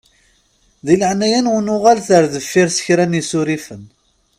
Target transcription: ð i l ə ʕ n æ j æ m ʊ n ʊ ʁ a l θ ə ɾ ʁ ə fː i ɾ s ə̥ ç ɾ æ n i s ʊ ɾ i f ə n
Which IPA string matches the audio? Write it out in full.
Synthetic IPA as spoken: ð i l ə ʕ n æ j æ n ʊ n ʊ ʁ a l θ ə ɾ ð ə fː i ɾ s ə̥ ç ɾ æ n i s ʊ ɾ i f ə n